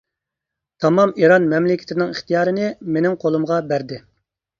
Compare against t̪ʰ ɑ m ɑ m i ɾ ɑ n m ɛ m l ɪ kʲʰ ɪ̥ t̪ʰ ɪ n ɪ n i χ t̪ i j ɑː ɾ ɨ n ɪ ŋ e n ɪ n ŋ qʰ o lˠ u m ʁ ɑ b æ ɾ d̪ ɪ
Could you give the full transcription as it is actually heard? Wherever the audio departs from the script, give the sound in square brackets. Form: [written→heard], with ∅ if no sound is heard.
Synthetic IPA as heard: t̪ʰ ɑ m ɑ m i ɾ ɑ n m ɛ m l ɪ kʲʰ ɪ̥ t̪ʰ ɪ n ɪ [n→ŋ] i χ t̪ i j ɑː ɾ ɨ n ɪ [ŋ→m] e n ɪ [n→∅] ŋ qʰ o lˠ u m ʁ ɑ b æ ɾ d̪ ɪ